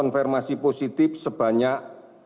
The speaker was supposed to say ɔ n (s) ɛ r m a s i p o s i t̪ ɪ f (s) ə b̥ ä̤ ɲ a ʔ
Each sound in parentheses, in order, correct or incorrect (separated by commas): incorrect, correct